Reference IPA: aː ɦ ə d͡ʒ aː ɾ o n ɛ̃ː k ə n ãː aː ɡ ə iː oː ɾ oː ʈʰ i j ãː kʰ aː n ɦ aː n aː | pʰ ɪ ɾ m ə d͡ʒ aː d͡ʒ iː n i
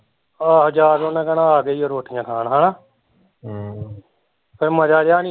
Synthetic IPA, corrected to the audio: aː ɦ ə d͡ʒ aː ɾ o n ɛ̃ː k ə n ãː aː ɡ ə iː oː ɾ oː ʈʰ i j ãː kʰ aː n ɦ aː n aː | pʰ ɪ ɾ m ə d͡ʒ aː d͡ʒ aː n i